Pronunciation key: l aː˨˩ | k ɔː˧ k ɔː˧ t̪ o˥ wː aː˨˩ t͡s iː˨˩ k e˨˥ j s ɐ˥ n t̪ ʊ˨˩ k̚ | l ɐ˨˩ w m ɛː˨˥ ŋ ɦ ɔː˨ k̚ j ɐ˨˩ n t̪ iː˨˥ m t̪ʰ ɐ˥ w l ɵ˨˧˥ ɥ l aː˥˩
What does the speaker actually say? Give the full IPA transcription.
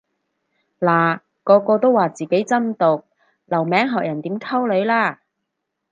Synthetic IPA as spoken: l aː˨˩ | k ɔː˧ k ɔː˧ t̪ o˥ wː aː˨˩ t͡s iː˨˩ k e˨˥ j t͡s ɐ˥ n t̪ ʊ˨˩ k̚ | l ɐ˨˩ w m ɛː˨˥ ŋ ɦ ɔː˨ k̚ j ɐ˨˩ n t̪ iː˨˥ m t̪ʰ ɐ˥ w l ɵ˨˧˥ ɥ l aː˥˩

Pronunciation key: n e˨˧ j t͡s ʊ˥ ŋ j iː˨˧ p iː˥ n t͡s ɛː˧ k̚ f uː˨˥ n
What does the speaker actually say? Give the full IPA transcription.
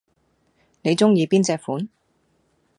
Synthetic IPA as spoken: n e˨˧ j t͡s ʊ˥ ŋ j iː˨˧ p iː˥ n t͡s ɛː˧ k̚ f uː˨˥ n

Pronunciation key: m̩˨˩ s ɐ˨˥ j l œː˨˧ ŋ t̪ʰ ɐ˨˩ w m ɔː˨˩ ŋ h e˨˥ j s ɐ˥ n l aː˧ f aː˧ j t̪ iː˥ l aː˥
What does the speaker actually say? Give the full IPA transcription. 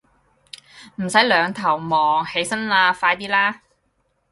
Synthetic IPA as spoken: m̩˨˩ s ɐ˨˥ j l œː˨˧ ŋ t̪ʰ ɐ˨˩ w m ɔː˨˩ ŋ h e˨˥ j s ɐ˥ n l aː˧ f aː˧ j t̪ iː˥ l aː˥

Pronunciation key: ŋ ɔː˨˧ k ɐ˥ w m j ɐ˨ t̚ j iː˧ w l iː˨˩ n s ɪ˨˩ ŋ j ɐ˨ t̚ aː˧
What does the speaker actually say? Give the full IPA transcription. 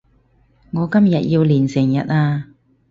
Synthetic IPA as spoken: ŋ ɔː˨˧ k ɐ˥ m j ɐ˨ t̚ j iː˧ w l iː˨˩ n s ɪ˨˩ ŋ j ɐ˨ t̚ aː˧

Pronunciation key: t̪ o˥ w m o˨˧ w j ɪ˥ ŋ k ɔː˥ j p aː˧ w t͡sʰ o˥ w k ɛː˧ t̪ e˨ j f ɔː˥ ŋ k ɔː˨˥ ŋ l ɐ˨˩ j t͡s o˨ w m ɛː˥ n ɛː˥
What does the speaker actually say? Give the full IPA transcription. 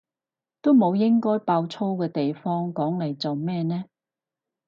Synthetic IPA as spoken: t̪ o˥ w m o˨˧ w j ɪ˥ ŋ k ɔː˥ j p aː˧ w t͡sʰ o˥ w k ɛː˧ t̪ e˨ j f ɔː˥ ŋ k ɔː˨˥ ŋ l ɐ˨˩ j t͡s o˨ w m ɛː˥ n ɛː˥

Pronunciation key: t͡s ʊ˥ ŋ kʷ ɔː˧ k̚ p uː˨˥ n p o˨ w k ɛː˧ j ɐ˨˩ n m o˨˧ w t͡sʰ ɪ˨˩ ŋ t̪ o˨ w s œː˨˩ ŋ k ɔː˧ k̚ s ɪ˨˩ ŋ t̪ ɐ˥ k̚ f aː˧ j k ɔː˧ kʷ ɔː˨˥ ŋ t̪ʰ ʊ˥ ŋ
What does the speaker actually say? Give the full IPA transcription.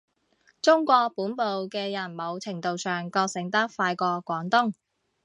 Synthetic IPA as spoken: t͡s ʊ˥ ŋ kʷ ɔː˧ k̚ p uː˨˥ n p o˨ w k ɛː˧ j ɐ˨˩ n m o˨˧ w t͡sʰ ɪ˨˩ ŋ t̪ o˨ w s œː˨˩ ŋ k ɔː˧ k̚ s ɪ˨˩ ŋ t̪ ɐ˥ k̚ f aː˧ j k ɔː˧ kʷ ɔː˨˥ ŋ t̪ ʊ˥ ŋ

